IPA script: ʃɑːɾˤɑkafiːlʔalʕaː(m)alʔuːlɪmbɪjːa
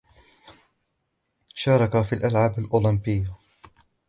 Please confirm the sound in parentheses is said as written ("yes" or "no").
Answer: no